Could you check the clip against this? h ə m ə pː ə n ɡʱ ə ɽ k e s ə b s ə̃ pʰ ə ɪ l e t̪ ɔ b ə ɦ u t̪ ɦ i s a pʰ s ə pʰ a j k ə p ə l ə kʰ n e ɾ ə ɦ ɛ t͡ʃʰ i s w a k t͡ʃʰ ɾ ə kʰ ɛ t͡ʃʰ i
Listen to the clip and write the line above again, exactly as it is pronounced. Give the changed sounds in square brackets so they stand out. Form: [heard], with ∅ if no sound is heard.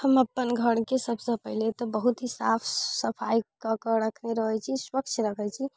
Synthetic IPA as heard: h ə m ə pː ə n ɡʱ ə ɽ k e s ə b s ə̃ [p] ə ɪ l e t̪ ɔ b ə ɦ u t̪ ɦ i s a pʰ s ə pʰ a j k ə [k] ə [ɾ] ə kʰ n e ɾ ə ɦ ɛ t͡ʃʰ i s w [ə] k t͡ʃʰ ɾ ə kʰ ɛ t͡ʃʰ i